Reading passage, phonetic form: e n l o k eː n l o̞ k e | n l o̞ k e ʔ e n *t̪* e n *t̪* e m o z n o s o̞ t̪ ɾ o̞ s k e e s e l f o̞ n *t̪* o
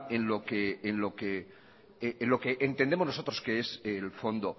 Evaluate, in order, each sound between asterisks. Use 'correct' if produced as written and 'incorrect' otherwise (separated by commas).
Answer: correct, incorrect, incorrect